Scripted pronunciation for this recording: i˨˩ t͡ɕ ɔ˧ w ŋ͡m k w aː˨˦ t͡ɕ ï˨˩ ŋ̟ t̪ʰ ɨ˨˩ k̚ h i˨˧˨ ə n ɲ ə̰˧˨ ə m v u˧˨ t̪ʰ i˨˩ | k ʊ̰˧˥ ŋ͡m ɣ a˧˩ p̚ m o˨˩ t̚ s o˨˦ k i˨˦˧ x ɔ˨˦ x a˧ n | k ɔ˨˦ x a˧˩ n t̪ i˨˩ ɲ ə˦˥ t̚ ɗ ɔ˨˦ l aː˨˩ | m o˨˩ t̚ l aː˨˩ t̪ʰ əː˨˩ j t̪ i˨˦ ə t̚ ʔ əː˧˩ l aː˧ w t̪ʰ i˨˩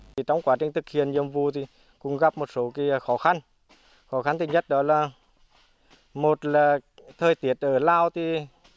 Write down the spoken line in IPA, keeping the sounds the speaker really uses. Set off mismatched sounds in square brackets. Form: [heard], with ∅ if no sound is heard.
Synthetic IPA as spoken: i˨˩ t͡ɕ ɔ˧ w ŋ͡m k w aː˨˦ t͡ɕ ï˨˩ ŋ̟ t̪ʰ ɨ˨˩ k̚ h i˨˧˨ ə n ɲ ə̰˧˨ ə m v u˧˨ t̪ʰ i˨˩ | k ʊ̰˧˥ ŋ͡m ɣ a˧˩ p̚ m o˨˩ t̚ s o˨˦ k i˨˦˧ x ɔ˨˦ x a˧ n | [x] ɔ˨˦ x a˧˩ n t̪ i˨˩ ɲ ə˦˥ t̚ ɗ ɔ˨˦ l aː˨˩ | m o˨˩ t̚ l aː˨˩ t̪ʰ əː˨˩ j t̪ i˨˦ ə t̚ ʔ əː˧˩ l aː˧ w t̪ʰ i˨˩